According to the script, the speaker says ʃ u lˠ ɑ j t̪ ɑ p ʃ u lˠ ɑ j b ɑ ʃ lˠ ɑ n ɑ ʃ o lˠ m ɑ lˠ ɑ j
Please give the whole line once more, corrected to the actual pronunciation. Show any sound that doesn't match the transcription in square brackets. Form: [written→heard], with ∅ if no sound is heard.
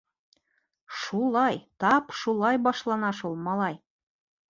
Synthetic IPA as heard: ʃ u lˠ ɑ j t̪ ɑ p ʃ u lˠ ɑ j b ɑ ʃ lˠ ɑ n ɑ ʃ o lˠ m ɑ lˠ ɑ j